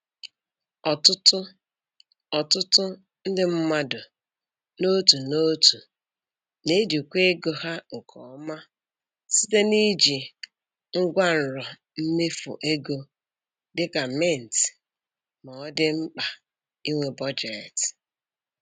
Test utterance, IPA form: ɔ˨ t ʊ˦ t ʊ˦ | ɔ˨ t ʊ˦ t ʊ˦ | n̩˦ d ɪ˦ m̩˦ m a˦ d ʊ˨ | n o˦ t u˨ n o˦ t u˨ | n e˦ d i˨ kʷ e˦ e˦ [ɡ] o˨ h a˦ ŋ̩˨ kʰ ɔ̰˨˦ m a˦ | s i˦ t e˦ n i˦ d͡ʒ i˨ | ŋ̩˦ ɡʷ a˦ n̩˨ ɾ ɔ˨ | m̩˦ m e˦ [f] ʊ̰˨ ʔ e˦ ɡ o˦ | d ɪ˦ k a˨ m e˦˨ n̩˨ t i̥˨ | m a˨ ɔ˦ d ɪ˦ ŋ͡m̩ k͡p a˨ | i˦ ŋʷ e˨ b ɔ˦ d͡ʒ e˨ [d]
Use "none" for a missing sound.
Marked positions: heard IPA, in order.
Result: ɡ, f, t

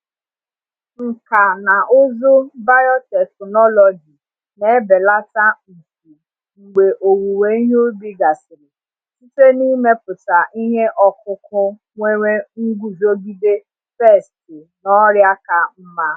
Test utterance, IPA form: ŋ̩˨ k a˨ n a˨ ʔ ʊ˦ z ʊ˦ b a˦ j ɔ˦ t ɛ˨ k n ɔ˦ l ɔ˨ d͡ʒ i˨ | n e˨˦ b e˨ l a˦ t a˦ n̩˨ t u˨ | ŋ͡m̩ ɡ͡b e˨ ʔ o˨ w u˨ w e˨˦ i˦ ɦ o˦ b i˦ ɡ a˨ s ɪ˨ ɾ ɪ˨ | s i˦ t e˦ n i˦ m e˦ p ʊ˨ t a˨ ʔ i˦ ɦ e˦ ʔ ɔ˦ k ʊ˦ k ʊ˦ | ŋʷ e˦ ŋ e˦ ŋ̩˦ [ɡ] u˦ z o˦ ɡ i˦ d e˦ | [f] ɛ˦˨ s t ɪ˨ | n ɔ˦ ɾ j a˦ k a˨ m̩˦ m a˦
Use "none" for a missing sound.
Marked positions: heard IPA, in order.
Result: ɡ, f

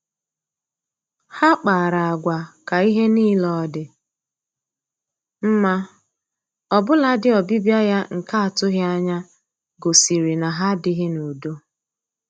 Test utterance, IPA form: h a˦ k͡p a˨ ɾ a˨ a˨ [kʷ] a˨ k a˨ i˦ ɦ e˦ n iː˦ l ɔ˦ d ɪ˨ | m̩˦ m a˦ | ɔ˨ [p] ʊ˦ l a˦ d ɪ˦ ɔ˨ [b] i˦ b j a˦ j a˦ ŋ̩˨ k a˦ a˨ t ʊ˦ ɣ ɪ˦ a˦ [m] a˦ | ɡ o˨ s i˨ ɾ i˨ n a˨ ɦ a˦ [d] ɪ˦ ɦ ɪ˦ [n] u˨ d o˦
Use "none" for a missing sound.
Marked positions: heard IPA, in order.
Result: ɡʷ, b, b, ɲ, d, n

